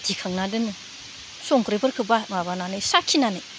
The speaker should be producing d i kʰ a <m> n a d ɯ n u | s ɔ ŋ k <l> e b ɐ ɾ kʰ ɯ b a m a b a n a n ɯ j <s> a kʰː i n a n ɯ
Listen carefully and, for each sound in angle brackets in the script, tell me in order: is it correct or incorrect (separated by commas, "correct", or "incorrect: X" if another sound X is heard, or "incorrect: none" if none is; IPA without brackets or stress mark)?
incorrect: ŋ, incorrect: ɾ, correct